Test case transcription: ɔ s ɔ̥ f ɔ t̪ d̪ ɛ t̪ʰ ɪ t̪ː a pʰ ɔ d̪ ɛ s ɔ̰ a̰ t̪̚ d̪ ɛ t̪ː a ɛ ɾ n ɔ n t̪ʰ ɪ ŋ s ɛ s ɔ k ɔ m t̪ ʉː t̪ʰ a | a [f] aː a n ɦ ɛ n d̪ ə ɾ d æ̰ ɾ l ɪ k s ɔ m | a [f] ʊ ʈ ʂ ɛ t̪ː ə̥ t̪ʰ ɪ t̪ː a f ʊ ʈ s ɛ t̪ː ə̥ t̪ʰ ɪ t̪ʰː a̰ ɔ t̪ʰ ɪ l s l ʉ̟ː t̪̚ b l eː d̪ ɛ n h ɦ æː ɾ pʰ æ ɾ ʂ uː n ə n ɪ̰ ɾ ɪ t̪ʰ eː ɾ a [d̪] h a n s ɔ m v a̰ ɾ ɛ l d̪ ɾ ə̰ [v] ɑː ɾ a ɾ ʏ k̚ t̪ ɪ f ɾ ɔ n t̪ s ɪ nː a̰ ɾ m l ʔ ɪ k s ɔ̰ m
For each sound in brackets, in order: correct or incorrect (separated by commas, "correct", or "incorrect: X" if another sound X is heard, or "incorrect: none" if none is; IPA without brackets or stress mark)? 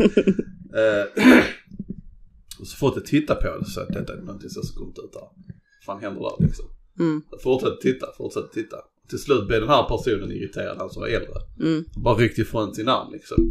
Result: correct, correct, correct, incorrect: b